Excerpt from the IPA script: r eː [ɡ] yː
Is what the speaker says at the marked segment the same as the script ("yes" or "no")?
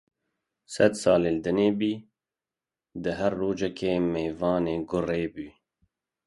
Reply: no